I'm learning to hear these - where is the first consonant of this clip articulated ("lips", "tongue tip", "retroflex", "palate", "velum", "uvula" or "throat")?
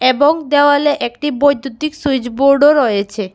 lips